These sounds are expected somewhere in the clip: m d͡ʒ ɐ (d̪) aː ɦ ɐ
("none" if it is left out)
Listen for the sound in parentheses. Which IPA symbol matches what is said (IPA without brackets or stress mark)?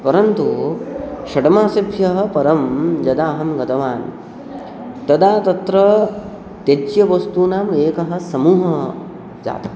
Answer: d̪